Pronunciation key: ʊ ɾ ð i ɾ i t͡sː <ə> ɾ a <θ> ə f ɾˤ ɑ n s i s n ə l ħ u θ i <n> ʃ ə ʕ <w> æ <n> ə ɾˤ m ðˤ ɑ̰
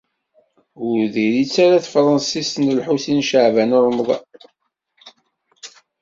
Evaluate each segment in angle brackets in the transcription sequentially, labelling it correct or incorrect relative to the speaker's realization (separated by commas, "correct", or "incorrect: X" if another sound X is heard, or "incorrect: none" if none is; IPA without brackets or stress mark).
incorrect: a, correct, correct, incorrect: v, correct